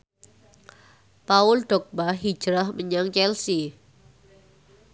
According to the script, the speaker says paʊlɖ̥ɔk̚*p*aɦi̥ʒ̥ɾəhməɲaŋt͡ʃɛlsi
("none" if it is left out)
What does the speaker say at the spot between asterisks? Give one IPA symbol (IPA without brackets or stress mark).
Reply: b